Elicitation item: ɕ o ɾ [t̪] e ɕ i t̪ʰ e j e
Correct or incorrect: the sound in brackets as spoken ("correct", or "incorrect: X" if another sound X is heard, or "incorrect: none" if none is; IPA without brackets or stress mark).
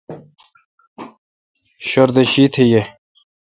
incorrect: d̪